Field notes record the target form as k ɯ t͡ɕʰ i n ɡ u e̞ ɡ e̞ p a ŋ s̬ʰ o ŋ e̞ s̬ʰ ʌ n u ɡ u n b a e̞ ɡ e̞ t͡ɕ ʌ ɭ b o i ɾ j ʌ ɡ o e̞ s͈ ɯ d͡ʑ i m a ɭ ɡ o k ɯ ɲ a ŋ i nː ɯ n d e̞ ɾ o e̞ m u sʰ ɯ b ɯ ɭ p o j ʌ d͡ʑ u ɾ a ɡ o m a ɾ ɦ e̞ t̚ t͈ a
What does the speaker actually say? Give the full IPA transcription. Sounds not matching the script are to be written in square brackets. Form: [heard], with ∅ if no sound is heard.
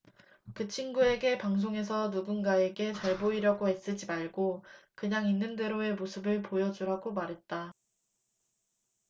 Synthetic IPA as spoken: k ɯ t͡ɕʰ i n ɡ u e̞ ɡ e̞ p a ŋ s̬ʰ o ŋ e̞ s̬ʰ ʌ n u ɡ u n [ɡ] a e̞ ɡ e̞ t͡ɕ ʌ ɭ b o i ɾ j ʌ ɡ o e̞ s͈ ɯ d͡ʑ i m a ɭ ɡ o k ɯ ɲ a ŋ i nː ɯ n d e̞ ɾ o e̞ m [o] sʰ ɯ b ɯ ɭ p o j ʌ d͡ʑ u ɾ a ɡ o m a ɾ ɦ e̞ t̚ t͈ a